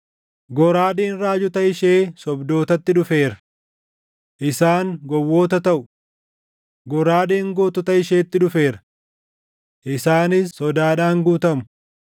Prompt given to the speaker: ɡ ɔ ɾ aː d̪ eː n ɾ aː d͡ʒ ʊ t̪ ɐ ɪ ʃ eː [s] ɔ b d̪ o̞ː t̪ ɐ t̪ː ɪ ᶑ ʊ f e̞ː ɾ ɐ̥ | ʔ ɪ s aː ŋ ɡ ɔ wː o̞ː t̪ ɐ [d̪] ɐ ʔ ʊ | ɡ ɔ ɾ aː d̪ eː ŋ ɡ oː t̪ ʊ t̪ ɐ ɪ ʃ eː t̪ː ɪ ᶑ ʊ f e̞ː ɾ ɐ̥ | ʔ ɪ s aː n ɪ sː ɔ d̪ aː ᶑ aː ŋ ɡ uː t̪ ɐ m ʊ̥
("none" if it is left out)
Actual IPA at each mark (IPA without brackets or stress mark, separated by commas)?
s, t̪